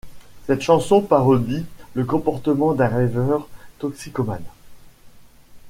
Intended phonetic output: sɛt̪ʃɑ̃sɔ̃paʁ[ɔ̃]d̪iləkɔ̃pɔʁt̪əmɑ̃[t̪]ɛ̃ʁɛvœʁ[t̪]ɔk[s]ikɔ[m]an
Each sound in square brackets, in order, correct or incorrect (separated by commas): incorrect, incorrect, correct, correct, correct